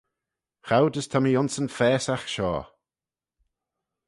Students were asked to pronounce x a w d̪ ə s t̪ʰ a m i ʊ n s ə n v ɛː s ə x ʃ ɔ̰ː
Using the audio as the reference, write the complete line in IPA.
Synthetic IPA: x a w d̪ ə s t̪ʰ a m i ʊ n s ə n f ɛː s a x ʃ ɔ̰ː